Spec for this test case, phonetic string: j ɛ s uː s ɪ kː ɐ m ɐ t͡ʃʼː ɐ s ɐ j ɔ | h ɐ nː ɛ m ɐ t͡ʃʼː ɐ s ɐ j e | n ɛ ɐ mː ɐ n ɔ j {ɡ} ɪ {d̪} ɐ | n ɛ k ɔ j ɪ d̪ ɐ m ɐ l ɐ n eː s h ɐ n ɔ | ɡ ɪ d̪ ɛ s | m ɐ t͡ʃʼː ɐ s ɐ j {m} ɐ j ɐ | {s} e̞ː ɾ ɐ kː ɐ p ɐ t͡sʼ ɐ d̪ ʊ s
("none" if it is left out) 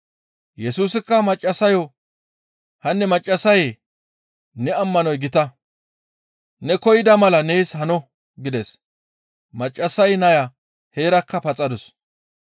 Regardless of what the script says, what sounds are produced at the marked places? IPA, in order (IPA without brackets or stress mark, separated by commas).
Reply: ɡ, t̪, n, h